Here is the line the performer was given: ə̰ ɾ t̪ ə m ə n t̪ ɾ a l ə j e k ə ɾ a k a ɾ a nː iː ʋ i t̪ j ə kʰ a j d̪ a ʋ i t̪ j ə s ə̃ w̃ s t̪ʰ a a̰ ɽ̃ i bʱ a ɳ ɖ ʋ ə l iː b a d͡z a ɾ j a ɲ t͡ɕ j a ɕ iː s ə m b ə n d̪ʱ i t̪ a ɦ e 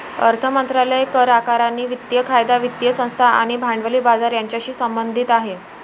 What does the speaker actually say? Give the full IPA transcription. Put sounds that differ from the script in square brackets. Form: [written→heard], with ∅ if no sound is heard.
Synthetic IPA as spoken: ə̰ ɾ [t̪→t̪ʰ] ə m ə n t̪ ɾ a l ə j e k ə ɾ a k a ɾ a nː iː ʋ i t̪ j ə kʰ a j d̪ a ʋ i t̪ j ə s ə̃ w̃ s t̪ʰ a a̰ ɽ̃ i bʱ a ɳ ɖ ʋ ə l iː b a d͡z a ɾ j a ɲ t͡ɕ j a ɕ iː s ə m b ə n d̪ʱ i t̪ a ɦ e